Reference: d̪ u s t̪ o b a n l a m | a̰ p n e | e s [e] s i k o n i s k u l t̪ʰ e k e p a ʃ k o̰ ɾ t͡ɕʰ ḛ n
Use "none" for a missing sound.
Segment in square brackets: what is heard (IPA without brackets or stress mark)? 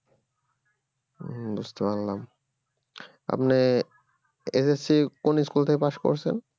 e